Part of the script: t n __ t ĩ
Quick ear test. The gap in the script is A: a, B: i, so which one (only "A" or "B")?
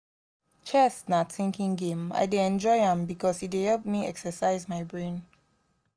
A